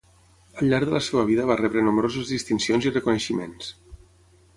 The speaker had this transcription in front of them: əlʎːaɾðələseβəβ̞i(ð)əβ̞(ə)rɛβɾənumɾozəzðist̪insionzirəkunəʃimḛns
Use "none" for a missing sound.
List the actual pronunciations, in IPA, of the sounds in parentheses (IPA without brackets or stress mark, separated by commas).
ð, a